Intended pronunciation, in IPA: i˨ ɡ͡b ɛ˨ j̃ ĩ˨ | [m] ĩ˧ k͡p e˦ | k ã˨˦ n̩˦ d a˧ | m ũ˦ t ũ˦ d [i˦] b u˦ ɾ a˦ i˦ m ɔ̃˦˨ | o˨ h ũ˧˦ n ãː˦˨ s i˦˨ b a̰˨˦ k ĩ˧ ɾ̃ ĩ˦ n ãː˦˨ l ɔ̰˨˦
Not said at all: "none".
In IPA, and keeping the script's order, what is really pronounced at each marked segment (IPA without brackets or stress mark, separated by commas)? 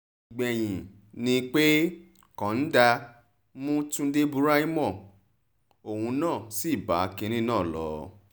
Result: n, e˦